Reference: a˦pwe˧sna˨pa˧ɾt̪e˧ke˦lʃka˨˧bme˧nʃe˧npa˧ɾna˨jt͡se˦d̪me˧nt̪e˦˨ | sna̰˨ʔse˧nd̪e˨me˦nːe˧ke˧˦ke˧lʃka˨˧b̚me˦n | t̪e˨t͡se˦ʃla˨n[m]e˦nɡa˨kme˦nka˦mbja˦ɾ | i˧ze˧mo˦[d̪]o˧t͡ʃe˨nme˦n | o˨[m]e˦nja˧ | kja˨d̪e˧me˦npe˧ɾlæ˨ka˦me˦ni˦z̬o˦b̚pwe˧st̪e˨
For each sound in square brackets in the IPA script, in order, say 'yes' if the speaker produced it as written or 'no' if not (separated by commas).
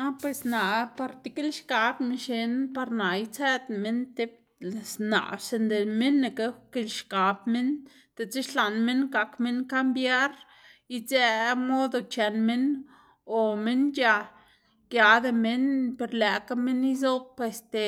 yes, yes, yes